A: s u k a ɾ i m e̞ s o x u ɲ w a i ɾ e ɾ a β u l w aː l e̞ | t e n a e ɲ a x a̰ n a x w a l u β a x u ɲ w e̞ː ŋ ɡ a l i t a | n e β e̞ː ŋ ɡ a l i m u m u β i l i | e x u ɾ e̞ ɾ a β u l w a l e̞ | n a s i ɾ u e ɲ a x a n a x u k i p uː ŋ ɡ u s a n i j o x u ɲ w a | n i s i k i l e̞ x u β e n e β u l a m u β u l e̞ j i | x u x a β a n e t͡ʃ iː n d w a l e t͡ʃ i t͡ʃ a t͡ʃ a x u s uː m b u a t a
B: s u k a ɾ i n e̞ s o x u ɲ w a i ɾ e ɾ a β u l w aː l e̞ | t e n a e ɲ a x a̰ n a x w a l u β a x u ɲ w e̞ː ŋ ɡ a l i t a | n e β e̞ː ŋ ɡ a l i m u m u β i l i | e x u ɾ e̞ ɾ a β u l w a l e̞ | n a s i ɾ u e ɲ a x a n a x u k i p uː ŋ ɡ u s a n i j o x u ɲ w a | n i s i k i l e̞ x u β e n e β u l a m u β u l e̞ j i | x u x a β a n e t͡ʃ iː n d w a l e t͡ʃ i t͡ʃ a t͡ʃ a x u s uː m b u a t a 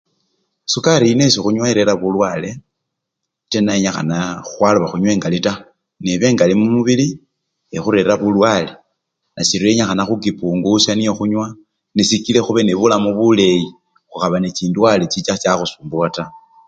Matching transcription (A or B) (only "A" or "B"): B